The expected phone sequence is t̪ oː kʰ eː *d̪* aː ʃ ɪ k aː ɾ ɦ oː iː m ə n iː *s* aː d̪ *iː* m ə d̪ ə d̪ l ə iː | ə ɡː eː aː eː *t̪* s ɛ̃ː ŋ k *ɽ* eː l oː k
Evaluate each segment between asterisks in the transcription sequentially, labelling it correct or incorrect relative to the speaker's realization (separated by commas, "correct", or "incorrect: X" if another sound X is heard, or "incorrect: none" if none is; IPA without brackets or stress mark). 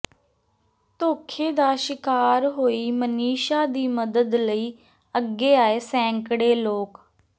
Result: correct, incorrect: ʃ, correct, incorrect: none, correct